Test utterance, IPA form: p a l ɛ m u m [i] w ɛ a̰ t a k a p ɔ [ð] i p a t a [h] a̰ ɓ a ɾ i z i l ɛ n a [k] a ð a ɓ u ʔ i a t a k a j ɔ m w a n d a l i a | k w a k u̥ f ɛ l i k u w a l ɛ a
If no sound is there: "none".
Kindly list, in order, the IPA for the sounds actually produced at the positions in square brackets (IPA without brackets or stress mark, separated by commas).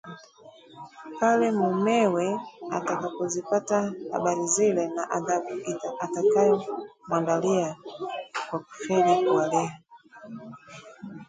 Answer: ɛ, z, h, ʔ